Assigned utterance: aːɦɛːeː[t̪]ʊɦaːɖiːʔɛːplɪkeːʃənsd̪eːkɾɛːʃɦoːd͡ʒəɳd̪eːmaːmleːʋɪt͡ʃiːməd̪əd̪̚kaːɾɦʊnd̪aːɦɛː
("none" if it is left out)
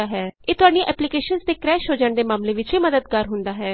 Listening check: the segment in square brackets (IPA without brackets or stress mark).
t̪